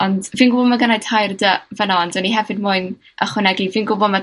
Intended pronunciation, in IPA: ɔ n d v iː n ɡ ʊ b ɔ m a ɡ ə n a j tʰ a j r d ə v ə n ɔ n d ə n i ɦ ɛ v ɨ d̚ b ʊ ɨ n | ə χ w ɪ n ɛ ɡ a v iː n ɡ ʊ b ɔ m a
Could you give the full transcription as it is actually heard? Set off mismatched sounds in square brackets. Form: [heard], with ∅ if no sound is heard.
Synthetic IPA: ɔ n d v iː n ɡ ʊ b ɔ m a ɡ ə n a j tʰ a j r d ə v ə n ɔ n d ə n i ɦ ɛ v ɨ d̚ [m] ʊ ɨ n | ə χ w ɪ n ɛ ɡ [i] v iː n ɡ ʊ b ɔ m a